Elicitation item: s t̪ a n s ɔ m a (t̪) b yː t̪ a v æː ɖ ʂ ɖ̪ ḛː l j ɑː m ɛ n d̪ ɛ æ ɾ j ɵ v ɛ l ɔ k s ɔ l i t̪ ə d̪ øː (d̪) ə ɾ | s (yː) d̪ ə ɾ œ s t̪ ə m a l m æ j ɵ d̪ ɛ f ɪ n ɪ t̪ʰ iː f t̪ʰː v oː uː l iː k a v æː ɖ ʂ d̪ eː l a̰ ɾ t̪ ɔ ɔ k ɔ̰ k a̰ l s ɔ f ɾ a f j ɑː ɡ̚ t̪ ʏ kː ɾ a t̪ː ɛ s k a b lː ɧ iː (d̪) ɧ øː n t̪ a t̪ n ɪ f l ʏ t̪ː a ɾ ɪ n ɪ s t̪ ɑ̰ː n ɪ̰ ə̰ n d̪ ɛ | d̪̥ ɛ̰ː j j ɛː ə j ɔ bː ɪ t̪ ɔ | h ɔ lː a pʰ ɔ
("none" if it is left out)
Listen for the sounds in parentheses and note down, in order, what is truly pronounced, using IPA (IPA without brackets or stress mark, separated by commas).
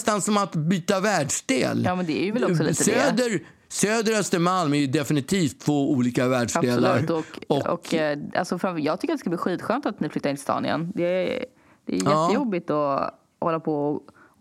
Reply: t̪, d̪, øː, t̪